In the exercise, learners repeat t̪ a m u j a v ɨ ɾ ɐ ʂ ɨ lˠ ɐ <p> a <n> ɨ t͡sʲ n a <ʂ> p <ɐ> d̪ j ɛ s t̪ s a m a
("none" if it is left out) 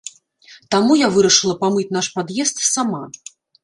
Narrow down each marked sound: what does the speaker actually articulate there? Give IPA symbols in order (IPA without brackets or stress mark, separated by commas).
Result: p, m, ʂ, a